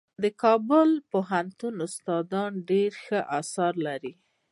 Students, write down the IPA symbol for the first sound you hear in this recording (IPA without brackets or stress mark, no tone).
d̪